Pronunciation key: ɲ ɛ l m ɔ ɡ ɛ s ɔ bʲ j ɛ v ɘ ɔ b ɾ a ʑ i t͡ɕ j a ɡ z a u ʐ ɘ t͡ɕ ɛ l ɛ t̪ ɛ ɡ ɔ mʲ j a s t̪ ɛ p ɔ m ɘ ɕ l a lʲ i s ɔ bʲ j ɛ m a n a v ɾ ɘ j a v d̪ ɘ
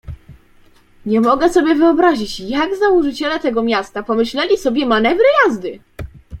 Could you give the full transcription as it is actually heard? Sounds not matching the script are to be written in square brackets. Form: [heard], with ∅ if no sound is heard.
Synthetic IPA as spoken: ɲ ɛ [∅] m ɔ ɡ ɛ s ɔ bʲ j ɛ v ɘ ɔ b ɾ a ʑ i t͡ɕ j a ɡ z a u ʐ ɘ t͡ɕ ɛ l ɛ t̪ ɛ ɡ ɔ mʲ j a s t̪ [a] p ɔ m ɘ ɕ l [ɛ] lʲ i s ɔ bʲ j ɛ m a n [ɛ] v ɾ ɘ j a [z] d̪ ɘ